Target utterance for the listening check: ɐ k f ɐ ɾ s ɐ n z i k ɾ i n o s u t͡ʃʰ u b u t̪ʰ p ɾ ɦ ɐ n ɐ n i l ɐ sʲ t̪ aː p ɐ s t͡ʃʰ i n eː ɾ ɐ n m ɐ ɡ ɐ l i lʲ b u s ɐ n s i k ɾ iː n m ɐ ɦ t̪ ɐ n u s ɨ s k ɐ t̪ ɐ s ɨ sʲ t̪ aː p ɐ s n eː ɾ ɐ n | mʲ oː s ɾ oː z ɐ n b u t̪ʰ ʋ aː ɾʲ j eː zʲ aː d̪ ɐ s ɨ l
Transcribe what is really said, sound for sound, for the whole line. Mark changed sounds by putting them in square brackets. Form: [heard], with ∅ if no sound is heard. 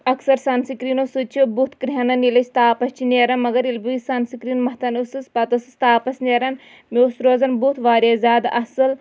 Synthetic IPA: ɐ k [s] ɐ ɾ s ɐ n [s] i k ɾ i n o s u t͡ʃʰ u b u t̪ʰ [k] ɾ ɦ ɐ n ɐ n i l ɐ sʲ t̪ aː p ɐ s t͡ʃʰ i n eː ɾ ɐ n m ɐ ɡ ɐ [ɾ] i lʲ b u s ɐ n s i k ɾ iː n m ɐ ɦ t̪ ɐ n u s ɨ s [p] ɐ t̪ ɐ s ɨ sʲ t̪ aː p ɐ s n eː ɾ ɐ n | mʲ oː s ɾ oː z ɐ n b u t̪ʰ ʋ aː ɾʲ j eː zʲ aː d̪ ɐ s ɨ l